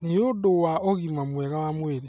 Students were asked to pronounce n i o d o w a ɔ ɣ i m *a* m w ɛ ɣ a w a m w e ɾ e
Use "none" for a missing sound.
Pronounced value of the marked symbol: a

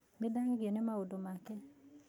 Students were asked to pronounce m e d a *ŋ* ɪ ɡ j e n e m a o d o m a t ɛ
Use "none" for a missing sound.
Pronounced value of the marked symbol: ŋ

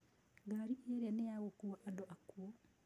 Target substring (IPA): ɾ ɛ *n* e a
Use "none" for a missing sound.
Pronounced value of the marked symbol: n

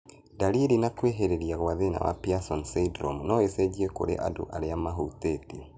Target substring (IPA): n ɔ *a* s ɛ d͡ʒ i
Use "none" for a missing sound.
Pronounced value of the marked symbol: e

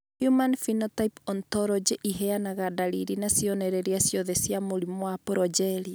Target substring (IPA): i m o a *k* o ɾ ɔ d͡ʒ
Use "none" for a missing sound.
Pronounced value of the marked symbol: p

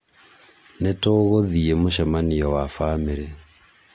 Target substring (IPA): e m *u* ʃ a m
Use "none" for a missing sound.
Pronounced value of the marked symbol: o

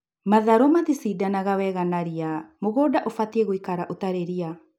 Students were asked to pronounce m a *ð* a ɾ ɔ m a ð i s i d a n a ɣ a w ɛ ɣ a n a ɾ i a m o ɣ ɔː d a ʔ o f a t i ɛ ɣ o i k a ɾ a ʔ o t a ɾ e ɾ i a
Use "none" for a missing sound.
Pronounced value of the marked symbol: ð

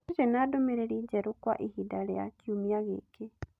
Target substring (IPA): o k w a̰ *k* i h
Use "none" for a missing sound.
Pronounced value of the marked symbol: ʔ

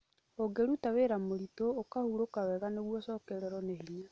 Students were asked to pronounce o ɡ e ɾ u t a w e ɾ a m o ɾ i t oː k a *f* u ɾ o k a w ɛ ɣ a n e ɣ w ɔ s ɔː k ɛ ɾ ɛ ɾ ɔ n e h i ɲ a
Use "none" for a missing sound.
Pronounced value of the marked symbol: h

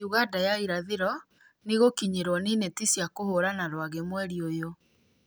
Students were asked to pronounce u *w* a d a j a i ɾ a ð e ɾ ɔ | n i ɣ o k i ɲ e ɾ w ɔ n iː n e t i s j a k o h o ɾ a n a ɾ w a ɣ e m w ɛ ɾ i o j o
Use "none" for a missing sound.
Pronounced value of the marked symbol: ɣ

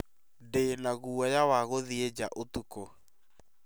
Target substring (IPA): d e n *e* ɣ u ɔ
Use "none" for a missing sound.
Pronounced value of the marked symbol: a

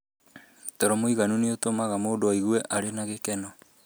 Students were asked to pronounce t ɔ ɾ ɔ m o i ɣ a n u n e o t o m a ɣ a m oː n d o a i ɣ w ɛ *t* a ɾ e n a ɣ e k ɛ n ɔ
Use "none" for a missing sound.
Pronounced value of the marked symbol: ʔ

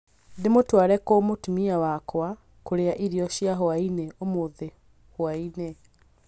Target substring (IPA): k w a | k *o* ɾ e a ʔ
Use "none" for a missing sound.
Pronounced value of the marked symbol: o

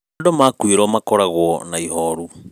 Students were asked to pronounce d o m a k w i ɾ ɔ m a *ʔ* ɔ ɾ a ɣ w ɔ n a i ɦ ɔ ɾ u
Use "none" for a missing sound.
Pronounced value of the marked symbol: k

